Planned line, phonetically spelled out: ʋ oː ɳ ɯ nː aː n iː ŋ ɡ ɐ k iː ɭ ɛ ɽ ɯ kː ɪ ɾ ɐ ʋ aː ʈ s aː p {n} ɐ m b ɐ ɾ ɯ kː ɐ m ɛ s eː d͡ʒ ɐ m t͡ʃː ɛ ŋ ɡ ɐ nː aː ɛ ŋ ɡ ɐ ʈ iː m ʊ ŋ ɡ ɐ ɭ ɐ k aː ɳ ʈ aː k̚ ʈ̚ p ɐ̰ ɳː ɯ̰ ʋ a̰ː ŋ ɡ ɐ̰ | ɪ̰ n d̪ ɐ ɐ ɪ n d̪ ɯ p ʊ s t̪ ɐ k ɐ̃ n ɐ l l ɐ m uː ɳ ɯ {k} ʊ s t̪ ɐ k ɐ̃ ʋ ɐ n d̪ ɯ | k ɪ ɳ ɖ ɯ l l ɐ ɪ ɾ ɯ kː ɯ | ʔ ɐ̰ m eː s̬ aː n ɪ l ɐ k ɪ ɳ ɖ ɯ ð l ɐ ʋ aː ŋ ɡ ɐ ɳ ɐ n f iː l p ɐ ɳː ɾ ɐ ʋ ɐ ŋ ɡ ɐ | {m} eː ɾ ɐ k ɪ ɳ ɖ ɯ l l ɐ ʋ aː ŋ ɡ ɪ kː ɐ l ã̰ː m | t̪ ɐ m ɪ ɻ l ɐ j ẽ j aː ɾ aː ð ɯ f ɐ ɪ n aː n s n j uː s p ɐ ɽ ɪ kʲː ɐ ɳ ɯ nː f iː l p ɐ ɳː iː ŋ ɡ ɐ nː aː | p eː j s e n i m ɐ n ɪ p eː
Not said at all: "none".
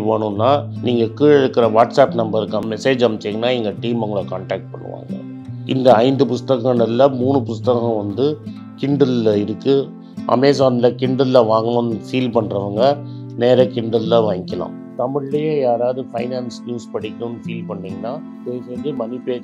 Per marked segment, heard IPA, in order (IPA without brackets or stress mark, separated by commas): n, p, n